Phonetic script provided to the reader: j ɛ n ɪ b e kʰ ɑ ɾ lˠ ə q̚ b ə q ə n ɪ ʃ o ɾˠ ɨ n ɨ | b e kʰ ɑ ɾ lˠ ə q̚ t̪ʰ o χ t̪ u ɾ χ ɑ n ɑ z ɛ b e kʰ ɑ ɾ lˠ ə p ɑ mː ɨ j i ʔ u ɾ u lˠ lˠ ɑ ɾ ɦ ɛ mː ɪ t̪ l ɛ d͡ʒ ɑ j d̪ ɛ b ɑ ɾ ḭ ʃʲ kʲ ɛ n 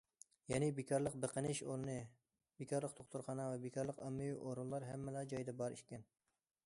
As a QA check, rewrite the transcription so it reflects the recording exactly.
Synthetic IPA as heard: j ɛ n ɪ b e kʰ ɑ ɾ lˠ ə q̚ b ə q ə n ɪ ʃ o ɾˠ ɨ n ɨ | b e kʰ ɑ ɾ lˠ ə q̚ t̪ʰ o χ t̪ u ɾ χ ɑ n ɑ v ɛ b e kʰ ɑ ɾ lˠ ə q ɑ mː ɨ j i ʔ o ɾ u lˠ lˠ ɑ ɾ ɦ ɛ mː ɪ l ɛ d͡ʒ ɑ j d̪ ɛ b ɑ ɾ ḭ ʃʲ kʲ ɛ n